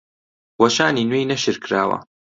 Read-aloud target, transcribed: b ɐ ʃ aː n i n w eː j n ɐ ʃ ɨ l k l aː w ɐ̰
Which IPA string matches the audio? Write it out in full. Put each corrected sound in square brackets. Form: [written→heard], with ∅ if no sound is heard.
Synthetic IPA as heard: [b→w] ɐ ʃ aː n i n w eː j n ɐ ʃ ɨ [l→ɾ] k [l→ɾ] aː w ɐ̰

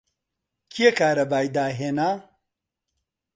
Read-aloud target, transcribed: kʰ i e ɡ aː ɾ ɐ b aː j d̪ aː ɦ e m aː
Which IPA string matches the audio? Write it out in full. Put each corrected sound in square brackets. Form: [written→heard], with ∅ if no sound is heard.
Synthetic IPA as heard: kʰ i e [ɡ→k] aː ɾ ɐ b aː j d̪ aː ɦ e [m→n] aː

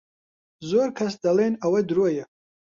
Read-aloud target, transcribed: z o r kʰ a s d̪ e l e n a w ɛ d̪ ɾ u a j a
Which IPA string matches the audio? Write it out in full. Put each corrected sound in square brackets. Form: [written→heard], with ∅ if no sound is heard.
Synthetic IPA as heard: z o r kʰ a s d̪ [e→a] l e n a w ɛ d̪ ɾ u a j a

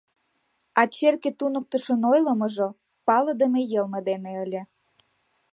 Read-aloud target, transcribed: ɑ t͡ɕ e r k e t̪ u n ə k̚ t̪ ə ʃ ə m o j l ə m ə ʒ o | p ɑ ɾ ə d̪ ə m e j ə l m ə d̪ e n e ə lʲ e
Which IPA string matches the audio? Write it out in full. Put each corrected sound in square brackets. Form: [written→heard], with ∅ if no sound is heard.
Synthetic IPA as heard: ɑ t͡ɕ e r k e t̪ u n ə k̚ t̪ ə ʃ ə [m→n] o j l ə m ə ʒ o | p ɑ [ɾ→l] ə d̪ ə m e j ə l m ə d̪ e n e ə lʲ e

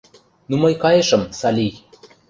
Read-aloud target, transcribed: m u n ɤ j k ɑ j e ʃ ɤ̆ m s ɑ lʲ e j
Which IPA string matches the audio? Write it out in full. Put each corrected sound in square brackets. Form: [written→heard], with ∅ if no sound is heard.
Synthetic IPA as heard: [m→n] u [n→m] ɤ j k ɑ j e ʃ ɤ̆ m s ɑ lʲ [e→i] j

